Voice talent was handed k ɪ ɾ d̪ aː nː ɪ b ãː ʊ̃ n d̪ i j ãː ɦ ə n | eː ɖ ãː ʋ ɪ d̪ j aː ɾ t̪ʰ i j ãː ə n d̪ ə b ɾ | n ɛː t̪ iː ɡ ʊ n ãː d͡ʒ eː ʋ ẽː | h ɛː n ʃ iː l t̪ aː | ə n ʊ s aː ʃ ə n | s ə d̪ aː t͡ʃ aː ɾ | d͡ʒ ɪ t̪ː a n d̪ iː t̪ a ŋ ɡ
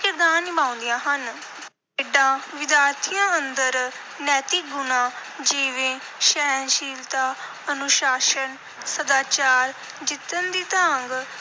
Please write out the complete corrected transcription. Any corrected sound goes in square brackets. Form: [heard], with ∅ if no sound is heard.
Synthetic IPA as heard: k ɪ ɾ d̪ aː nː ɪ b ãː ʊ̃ n d̪ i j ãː ɦ ə n | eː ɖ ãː ʋ ɪ d̪ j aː ɾ t̪ʰ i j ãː ə n d̪ ə [∅] ɾ | n ɛː t̪ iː ɡ ʊ n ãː d͡ʒ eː ʋ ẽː | [ʃ] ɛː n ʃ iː l t̪ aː | ə n ʊ [ʃ] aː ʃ ə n | s ə d̪ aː t͡ʃ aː ɾ | d͡ʒ ɪ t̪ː [ə] n d̪ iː t̪ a ŋ ɡ